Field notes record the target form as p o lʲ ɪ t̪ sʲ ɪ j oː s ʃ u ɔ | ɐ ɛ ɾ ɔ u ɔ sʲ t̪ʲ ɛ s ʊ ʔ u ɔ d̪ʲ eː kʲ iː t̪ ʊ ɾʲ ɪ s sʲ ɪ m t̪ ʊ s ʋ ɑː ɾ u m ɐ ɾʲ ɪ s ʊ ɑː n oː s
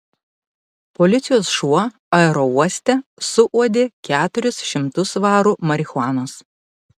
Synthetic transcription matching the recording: p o lʲ ɪ t̪ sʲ ɪ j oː s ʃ u ɔ | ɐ ɛ ɾ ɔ u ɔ sʲ t̪ʲ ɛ s ʊ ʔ u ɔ d̪ʲ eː kʲ æː t̪ ʊ ɾʲ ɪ s ʃʲ ɪ m t̪ ʊ s ʋ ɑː ɾ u m ɐ ɾʲ ɪ x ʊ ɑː n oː s